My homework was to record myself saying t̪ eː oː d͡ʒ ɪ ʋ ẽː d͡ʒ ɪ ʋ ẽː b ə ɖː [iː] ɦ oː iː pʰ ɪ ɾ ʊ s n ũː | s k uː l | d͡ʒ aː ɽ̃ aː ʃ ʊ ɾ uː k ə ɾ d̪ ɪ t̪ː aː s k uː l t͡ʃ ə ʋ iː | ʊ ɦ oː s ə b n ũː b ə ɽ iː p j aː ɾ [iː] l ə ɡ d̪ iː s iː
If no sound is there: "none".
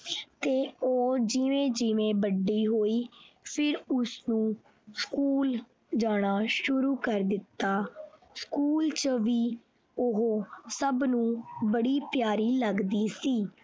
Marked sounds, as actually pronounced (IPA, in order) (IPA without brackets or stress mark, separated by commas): iː, iː